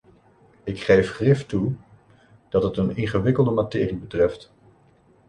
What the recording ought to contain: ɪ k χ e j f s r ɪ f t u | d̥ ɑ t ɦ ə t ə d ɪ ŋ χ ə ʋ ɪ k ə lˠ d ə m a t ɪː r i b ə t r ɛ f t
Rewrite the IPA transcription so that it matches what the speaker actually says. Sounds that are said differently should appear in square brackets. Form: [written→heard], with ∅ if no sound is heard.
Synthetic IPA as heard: ɪ k χ e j f [s→χ] r ɪ f t u | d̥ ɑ t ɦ ə t ə [d→n] ɪ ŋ χ ə ʋ ɪ k ə lˠ d ə m a t ɪː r i b ə t r ɛ f t